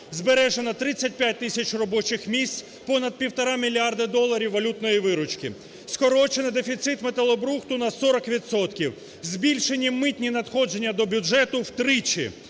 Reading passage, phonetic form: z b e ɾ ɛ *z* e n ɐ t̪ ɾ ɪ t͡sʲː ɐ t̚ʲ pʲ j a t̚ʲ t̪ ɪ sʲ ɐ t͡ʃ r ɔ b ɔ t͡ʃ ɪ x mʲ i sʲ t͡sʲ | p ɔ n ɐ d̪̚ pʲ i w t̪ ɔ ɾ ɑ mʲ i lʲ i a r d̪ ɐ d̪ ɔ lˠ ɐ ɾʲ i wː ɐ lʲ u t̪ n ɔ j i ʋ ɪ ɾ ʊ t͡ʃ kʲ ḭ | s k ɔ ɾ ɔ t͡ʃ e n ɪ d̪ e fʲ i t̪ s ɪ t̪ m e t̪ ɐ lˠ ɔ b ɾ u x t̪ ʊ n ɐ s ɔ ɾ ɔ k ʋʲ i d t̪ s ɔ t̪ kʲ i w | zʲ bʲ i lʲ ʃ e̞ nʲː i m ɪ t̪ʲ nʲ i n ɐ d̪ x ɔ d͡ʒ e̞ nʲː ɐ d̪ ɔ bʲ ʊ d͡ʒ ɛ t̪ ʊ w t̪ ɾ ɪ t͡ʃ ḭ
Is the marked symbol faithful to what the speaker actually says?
no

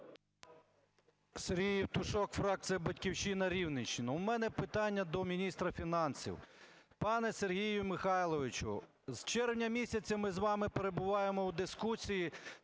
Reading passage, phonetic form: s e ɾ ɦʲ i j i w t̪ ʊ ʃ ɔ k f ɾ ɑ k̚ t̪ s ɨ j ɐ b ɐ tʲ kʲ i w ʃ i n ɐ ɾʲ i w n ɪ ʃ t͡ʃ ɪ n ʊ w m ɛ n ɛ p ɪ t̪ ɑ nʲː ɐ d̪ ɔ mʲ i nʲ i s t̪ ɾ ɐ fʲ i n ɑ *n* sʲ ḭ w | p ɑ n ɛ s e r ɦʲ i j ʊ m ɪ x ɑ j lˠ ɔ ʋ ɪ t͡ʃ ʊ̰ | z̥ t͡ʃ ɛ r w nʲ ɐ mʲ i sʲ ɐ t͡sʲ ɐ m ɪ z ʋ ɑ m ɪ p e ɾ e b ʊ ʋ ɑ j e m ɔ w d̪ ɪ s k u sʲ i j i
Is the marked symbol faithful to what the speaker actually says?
yes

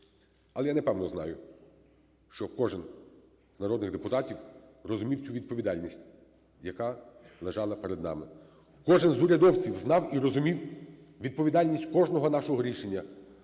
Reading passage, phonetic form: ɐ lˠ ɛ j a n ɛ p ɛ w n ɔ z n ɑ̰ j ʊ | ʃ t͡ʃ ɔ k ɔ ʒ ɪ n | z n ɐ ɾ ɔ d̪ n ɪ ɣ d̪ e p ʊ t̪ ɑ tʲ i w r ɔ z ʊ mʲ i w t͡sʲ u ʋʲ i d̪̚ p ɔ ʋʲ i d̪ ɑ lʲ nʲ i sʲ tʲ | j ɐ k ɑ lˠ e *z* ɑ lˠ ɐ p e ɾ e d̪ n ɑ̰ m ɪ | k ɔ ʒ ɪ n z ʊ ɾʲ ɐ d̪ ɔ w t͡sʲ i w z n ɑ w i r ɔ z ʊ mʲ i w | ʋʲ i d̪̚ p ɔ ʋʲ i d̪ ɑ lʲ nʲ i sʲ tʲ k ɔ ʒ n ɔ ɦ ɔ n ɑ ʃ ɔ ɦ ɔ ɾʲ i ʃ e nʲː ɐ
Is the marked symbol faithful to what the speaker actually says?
no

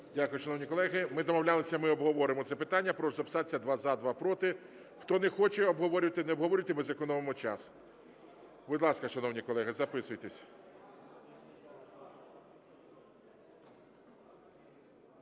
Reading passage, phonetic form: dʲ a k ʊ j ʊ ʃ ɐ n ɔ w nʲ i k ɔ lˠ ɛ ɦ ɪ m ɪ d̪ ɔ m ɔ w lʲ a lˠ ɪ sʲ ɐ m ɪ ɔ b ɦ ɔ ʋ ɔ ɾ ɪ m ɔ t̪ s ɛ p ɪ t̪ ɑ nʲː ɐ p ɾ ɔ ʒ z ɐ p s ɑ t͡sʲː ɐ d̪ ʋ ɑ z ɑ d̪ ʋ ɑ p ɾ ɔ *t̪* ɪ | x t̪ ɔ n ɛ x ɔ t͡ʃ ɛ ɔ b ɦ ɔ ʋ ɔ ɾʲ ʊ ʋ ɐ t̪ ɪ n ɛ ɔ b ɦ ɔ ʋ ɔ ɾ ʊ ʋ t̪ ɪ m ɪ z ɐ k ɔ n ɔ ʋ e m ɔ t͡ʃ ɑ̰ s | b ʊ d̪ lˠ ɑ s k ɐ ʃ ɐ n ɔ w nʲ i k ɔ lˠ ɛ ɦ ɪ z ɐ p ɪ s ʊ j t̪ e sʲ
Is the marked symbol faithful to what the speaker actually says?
yes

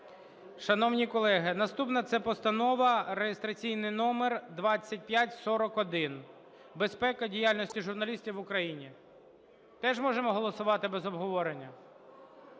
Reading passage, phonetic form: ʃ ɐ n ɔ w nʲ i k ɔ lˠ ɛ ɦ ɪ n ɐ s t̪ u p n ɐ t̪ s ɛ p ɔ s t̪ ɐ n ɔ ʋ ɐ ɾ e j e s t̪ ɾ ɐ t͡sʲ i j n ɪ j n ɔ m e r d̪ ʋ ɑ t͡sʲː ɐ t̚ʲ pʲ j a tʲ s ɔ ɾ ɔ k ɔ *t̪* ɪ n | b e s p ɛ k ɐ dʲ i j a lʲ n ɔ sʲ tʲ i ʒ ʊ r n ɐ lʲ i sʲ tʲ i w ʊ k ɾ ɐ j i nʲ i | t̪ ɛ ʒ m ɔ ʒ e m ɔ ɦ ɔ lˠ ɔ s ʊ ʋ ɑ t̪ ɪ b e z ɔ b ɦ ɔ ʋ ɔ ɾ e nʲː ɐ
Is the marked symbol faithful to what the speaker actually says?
no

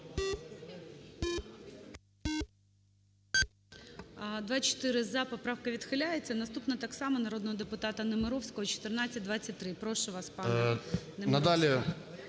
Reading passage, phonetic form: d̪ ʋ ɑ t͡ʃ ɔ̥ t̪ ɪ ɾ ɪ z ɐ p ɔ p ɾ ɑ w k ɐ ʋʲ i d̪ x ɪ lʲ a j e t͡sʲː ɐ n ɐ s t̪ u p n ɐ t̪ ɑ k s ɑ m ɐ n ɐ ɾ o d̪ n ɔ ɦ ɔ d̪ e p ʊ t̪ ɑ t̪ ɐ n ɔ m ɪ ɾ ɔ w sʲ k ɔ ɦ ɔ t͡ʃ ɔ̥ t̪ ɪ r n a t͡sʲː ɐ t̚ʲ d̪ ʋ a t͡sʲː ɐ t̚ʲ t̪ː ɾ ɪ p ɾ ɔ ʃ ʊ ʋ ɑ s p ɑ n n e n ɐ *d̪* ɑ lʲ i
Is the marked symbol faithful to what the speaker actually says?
yes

